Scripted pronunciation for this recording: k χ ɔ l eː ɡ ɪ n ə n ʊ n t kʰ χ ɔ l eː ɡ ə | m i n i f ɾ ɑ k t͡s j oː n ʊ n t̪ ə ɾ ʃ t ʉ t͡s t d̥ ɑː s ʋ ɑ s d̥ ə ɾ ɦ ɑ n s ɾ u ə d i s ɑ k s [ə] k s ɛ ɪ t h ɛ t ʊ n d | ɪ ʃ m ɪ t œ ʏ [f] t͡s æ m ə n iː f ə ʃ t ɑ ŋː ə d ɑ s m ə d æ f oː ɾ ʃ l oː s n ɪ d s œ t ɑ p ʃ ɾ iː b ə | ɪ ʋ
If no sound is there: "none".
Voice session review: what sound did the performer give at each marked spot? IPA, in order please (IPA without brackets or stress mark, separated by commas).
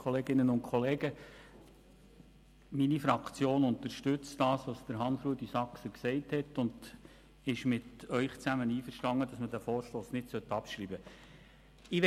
ə, χ